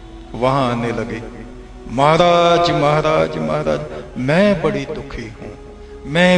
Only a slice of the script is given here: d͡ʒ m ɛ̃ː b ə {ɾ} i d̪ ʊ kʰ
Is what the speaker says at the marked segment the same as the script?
no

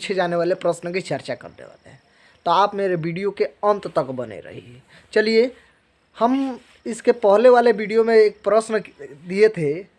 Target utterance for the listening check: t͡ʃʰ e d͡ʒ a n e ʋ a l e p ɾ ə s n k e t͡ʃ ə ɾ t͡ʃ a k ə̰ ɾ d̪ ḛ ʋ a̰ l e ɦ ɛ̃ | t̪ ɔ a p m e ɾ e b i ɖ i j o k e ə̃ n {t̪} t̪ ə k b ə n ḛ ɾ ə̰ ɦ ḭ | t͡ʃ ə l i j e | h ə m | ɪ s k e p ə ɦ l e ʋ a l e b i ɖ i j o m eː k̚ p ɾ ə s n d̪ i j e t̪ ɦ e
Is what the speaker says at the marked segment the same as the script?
yes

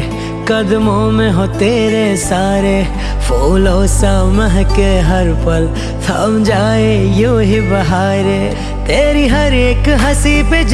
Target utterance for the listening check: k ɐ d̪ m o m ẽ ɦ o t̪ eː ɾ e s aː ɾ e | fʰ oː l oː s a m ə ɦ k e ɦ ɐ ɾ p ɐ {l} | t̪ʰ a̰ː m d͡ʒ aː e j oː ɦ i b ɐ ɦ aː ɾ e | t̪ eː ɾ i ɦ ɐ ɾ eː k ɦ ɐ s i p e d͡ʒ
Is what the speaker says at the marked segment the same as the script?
yes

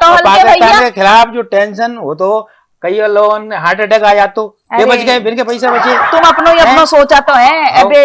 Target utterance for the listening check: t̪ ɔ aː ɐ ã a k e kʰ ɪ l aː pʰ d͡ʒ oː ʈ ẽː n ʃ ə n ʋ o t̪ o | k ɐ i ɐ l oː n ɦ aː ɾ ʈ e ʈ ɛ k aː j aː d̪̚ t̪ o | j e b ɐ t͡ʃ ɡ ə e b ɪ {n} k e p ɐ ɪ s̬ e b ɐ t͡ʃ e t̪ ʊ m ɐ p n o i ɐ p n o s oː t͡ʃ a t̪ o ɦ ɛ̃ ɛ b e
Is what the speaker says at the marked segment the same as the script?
yes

